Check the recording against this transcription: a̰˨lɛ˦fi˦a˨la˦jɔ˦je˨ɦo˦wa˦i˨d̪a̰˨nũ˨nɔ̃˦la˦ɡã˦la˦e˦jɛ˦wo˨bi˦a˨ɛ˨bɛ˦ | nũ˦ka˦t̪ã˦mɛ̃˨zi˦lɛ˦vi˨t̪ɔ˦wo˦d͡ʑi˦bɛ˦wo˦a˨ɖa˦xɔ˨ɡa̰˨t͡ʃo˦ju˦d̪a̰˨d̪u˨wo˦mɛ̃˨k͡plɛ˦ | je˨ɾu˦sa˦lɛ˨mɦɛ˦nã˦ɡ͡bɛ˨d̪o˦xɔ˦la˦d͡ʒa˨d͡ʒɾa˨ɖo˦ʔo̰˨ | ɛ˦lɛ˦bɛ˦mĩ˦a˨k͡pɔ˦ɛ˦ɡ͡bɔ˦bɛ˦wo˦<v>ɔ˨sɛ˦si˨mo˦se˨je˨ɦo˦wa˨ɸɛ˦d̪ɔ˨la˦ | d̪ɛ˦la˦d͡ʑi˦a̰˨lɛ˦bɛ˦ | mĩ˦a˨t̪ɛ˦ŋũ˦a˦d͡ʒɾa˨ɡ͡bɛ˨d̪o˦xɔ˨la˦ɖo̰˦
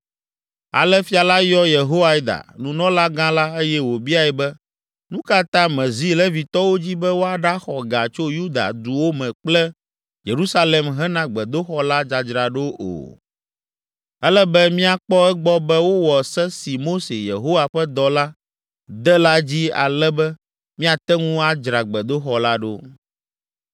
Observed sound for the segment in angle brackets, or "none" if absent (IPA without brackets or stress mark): w